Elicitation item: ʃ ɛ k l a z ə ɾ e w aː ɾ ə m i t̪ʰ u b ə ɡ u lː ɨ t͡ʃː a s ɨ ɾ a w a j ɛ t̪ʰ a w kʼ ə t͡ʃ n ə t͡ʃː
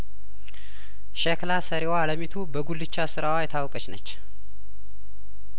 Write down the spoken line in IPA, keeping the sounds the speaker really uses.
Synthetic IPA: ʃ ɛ k l a s ə ɾ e w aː l ə m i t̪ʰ u b ə ɡ u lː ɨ t͡ʃː a s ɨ ɾ a w a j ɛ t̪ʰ a w kʼ ə t͡ʃ n ə t͡ʃː